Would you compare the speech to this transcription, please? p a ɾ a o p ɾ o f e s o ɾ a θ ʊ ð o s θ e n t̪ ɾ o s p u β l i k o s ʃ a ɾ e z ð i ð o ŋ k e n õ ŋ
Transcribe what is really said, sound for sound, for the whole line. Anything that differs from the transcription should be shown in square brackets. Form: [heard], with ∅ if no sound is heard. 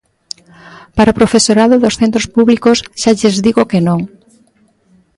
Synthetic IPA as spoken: p a ɾ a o p ɾ o f e s o ɾ a [ð] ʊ ð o s θ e n t̪ ɾ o s p u β l i k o s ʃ a [ʎ] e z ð i [ɣ] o [∅] k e n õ ŋ